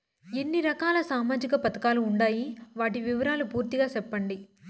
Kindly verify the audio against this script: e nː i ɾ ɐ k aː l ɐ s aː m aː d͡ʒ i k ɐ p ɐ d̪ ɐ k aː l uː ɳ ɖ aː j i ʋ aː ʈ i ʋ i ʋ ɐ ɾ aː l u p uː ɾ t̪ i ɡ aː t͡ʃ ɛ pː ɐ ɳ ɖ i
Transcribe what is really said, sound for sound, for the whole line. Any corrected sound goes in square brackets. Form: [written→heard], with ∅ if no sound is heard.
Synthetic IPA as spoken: e nː i ɾ ɐ k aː l ɐ s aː m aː d͡ʒ i k ɐ p ɐ [d̪→t̪] ɐ k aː l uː ɳ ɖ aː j i ʋ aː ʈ i ʋ i ʋ ɐ ɾ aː l u p uː ɾ t̪ i ɡ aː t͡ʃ ɛ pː ɐ ɳ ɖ i